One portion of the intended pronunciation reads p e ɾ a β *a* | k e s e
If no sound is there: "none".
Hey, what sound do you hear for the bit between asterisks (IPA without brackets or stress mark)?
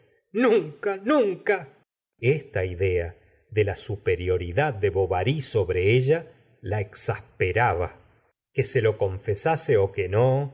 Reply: a